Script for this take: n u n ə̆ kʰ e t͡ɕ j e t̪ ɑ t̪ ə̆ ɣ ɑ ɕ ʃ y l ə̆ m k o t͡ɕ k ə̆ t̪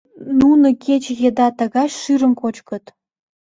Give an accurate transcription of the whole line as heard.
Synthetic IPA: n u n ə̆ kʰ e t͡ɕ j e d̪ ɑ t̪ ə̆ ɣ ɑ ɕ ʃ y ɾ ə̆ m k o t͡ɕ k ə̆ t̪

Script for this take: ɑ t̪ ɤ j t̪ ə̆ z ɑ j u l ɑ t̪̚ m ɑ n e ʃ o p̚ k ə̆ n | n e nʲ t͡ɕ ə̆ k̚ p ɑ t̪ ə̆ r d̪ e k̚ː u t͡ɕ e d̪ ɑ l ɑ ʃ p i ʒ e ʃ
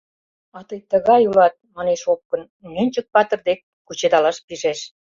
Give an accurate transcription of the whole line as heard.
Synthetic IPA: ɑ t̪ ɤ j t̪ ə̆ ɣ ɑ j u l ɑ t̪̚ m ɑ n e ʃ o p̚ k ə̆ n | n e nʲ t͡ɕ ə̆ k̚ p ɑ t̪ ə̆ r d̪ e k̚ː u t͡ɕ e d̪ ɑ l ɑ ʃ p i ʒ e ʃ

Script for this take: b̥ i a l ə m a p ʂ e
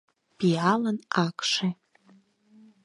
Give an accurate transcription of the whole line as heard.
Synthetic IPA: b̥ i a l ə n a k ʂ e

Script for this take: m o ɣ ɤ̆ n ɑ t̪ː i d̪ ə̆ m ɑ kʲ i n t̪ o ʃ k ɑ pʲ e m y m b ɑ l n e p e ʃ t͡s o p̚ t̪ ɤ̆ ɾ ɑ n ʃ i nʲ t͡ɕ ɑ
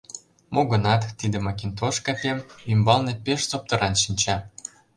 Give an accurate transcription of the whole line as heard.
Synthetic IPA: m o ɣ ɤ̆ n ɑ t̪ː i d̪ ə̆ m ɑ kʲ i n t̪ o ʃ k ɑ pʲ e m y m b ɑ l n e p e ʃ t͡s o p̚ t̪ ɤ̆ ɾ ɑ n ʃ i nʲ t͡ɕ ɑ

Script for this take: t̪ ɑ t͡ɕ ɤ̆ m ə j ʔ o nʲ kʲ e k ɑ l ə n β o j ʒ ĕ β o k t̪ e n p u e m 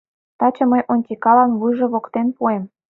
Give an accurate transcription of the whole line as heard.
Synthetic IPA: t̪ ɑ t͡ɕ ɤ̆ m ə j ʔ o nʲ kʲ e k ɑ l ɑ n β u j ʒ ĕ β o k t̪ e n p u e m

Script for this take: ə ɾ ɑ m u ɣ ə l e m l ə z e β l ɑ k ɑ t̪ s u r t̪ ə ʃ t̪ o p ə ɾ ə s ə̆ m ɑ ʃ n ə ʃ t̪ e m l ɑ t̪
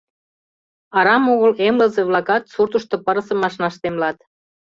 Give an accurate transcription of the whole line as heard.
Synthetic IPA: ɑ ɾ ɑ m o ɣ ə l e m l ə z e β l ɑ k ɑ t̪ s u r t̪ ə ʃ t̪ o p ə ɾ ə s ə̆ m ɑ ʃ n ɑ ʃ t̪ e m l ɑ t̪

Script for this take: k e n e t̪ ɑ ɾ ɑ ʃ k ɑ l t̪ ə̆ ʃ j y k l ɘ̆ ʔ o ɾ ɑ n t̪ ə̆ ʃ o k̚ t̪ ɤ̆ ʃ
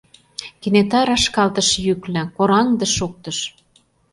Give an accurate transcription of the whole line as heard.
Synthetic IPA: k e n e t̪ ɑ ɾ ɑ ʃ k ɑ l t̪ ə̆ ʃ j y k l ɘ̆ k o ɾ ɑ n d̪ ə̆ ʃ o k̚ t̪ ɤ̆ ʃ

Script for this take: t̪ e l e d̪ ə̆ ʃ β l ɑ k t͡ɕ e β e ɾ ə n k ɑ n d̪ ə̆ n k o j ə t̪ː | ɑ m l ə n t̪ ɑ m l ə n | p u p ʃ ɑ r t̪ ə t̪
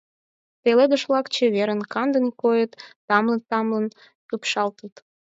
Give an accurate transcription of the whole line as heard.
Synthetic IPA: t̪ e l e d̪ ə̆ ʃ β l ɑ k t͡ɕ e β e ɾ ə n k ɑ n d̪ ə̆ n k o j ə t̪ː | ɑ m l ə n t̪ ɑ m l ə n | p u p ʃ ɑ l t̪ ə t̪

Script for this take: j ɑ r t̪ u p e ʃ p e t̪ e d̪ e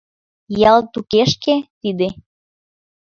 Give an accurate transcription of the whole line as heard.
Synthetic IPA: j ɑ l t̪ u k e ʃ k e t̪ i d̪ e

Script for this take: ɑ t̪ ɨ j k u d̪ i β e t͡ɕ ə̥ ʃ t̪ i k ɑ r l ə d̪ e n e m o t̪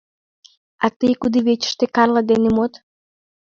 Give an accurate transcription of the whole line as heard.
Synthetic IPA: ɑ t̪ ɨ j k u d̪ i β e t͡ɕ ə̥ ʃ t̪ e k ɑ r l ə d̪ e n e m o t̪

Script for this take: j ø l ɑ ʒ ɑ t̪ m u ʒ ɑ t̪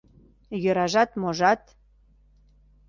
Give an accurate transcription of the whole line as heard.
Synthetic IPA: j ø ɾ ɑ ʒ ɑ t̪ m o ʒ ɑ t̪

